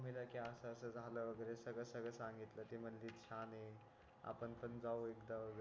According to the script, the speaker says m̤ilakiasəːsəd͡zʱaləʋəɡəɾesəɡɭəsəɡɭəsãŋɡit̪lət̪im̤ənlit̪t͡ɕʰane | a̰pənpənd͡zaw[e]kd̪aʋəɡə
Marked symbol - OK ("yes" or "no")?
yes